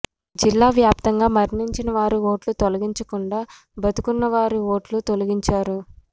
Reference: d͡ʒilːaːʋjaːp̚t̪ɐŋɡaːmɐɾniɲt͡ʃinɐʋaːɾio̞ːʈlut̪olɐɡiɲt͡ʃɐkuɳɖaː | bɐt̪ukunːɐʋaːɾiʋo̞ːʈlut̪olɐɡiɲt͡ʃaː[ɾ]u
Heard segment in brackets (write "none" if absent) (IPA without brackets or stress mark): ɾ